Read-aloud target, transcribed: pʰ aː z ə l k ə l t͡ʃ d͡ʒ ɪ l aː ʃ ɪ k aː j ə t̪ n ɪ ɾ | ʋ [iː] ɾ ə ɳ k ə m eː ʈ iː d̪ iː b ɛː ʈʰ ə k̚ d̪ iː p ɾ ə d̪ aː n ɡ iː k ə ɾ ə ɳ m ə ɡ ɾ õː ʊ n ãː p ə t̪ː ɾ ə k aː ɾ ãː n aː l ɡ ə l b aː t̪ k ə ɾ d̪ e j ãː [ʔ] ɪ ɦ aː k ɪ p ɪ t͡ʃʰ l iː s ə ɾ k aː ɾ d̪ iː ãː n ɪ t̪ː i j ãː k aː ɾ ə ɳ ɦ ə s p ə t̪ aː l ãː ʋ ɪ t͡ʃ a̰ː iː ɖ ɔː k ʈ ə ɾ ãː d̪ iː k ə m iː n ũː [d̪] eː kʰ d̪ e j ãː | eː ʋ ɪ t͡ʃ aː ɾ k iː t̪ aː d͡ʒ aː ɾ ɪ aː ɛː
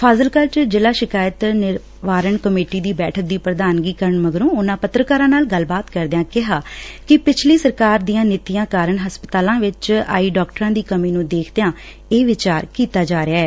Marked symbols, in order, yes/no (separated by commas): no, no, yes